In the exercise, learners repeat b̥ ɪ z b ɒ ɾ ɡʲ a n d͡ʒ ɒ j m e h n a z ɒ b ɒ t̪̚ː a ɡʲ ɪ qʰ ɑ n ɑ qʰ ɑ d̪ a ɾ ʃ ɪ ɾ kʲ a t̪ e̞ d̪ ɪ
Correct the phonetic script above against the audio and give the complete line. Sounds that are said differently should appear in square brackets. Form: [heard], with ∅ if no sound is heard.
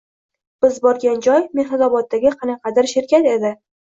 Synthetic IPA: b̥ ɪ z b ɒ ɾ ɡʲ a n d͡ʒ ɒ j m e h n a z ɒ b ɒ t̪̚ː a ɡʲ ɪ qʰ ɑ n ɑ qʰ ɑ d̪ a ɾ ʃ ɪ ɾ kʲ a t̪ e̞ d̪ ɪ